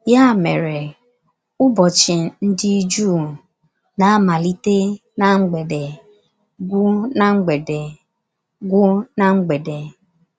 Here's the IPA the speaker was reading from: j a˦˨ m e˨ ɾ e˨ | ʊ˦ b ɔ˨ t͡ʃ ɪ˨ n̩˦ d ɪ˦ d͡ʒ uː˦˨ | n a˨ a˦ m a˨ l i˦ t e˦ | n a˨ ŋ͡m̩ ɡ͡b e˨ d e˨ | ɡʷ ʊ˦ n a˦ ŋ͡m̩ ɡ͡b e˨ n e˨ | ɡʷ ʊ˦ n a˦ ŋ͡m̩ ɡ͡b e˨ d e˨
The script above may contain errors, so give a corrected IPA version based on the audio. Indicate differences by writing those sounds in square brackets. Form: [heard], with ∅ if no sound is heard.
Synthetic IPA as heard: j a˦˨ m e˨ ɾ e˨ | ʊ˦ b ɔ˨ t͡ʃ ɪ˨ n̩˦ d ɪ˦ d͡ʒ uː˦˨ | n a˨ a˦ m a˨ l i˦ t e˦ | n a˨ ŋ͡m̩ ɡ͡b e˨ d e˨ | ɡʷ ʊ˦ n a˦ ŋ͡m̩ ɡ͡b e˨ [d] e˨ | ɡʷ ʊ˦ n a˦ ŋ͡m̩ ɡ͡b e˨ d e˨